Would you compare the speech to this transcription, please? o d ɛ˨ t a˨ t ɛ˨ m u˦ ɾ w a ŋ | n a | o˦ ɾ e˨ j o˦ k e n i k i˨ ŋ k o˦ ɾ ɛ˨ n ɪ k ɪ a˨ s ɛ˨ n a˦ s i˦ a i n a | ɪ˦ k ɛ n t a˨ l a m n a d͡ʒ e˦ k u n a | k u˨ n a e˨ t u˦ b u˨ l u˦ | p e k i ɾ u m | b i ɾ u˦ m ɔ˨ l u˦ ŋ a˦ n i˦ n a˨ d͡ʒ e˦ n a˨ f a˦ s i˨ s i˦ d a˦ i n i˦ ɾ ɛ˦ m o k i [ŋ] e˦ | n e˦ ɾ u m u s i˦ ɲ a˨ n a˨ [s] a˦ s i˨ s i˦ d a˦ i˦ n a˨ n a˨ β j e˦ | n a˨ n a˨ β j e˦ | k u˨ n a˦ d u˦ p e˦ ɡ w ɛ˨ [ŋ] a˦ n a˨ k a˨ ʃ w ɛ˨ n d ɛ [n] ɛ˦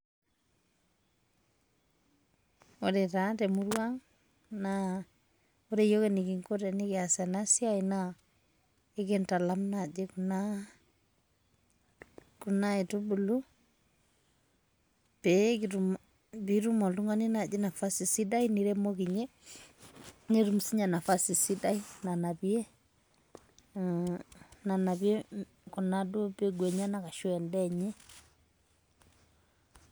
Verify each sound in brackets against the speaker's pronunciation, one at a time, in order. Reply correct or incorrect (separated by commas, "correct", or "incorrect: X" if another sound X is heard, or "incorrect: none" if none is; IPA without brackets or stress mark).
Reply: incorrect: ɲ, incorrect: f, incorrect: ɲ, incorrect: ɲ